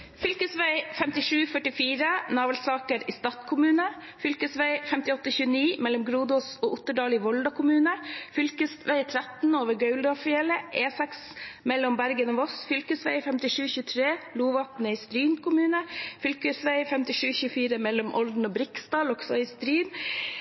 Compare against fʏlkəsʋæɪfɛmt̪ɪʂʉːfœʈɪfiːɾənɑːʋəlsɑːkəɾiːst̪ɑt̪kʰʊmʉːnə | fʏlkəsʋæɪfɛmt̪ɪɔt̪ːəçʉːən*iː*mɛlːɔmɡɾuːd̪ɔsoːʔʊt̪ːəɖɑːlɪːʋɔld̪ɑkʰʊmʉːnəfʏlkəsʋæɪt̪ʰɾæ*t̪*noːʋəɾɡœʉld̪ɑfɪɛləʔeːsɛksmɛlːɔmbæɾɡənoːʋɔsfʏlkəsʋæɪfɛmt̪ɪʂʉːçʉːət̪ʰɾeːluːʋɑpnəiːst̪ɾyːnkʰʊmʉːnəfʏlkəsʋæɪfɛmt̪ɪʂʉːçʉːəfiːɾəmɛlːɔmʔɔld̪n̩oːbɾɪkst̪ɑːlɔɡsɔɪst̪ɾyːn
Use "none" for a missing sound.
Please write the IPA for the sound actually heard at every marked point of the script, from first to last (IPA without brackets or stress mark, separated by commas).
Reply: iː, t̪